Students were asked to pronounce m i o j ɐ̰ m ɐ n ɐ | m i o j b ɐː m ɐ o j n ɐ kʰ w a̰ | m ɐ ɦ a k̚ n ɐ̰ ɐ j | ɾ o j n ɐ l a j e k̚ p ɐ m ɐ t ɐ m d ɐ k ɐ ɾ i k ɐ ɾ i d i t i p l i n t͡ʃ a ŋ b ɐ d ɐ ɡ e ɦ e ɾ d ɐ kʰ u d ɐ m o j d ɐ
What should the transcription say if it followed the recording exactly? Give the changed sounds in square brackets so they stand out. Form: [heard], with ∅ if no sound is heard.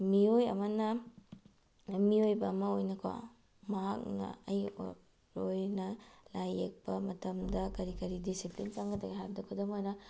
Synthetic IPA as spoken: m i o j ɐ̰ m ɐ n ɐ | m i o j b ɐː m ɐ o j n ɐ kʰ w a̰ | m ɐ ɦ a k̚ n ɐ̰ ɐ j | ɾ o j n ɐ l a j e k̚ p ɐ m ɐ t ɐ m d ɐ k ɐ ɾ i k ɐ ɾ i d i [s] i p l i n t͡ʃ a ŋ [ɡ] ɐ d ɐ ɡ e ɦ [a] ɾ d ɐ kʰ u d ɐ m o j [n] ɐ